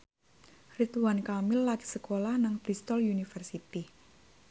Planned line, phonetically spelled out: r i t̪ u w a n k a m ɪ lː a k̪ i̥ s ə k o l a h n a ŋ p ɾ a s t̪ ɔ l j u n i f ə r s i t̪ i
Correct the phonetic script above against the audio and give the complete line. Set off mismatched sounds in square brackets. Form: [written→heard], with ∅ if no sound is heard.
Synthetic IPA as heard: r i t̪ u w a n k a m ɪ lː a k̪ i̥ s ə k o l a h n a ŋ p ɾ [a→i] s t̪ ɔ l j u n i f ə r s i t̪ i

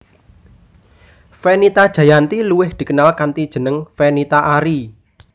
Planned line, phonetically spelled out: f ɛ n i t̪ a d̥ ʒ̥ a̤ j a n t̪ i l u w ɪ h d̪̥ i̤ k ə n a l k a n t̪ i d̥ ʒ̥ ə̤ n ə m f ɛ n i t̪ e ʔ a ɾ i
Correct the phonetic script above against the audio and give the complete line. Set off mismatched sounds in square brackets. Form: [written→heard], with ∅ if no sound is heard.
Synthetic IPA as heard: f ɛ n i t̪ a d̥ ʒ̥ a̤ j a n t̪ i l u w ɪ h d̪̥ i̤ k ə n a l k a n t̪ i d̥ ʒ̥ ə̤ n ə [m→ŋ] f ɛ n i t̪ [e→a] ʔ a ɾ i

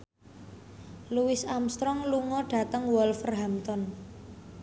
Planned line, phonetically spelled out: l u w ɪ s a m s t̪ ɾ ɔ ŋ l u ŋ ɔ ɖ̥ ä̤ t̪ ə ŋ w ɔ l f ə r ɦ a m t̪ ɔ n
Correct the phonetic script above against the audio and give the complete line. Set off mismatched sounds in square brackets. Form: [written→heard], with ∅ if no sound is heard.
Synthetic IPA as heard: l u w ɪ s a m s t̪ ɾ ɔ ŋ l u ŋ ɔ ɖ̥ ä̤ t̪ ə ŋ w ɔ l f ə r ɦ a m t̪ ɔ n

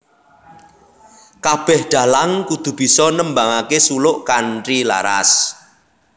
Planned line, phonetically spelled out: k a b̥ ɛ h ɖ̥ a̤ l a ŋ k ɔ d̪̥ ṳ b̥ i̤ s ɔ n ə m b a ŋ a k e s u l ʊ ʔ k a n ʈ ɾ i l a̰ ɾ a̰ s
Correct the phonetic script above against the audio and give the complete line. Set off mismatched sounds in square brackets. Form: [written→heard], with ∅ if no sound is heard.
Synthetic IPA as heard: k a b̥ ɛ h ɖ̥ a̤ l a ŋ k [ɔ→u] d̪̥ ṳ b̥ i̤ s ɔ n ə m b a ŋ a k e s u l ʊ ʔ k a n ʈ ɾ i l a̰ ɾ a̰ s

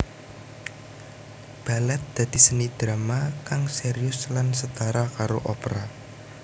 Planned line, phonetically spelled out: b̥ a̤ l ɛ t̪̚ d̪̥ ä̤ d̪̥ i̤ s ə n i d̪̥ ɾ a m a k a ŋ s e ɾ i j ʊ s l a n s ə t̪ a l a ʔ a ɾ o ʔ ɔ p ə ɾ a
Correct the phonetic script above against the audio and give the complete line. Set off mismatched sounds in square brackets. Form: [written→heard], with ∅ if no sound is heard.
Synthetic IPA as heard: b̥ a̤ l ɛ t̪̚ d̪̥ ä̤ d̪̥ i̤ s ə n i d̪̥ ɾ a m a k a ŋ s e ɾ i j ʊ s l a n s ə t̪ a [l→ɾ] a [ʔ→k] a ɾ o ʔ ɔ p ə ɾ a

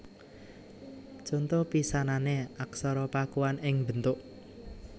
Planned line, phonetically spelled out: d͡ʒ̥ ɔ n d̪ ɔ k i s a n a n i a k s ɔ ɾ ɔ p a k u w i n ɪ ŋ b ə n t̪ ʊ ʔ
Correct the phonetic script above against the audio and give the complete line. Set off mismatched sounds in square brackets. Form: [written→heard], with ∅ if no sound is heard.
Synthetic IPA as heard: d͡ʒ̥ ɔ n [d̪→t̪] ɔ [k→p] i s a n a n [i→e] a k s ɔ ɾ ɔ p a k u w [i→a] n ɪ ŋ b ə n t̪ ʊ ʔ

